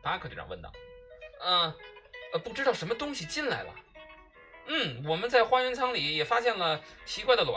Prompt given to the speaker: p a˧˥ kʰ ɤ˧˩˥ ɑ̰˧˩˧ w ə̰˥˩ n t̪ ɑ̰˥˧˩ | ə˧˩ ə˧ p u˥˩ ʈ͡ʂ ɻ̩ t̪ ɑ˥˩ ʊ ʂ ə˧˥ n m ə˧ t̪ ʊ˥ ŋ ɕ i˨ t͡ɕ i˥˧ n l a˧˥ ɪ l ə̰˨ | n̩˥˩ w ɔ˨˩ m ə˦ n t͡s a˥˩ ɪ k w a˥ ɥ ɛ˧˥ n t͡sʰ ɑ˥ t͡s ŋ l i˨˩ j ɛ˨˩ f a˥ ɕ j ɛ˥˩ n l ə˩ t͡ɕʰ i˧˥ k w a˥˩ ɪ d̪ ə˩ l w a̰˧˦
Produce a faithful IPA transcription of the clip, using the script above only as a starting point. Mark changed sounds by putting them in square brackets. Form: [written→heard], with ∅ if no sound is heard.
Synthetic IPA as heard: p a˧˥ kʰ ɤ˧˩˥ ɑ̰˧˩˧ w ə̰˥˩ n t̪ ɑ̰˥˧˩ | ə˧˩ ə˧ p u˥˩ ʈ͡ʂ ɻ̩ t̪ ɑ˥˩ ʊ ʂ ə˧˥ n m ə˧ t̪ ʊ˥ ŋ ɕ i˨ t͡ɕ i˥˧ n l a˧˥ ɪ l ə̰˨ | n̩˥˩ w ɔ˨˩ m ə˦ n t͡s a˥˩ ɪ [k→x] w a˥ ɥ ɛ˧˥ n t͡sʰ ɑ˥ [t͡s→∅] ŋ l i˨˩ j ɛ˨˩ f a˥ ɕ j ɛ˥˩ n l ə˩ t͡ɕʰ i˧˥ k w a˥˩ ɪ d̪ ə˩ l w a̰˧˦